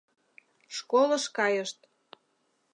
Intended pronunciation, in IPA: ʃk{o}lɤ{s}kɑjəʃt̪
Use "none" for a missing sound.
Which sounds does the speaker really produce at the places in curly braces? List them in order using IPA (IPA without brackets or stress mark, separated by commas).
o, ʃ